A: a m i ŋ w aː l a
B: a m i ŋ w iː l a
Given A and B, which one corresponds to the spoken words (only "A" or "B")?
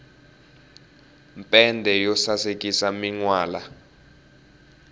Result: A